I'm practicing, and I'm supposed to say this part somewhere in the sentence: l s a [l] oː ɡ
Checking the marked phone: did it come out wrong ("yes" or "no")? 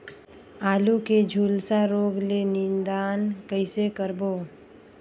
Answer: yes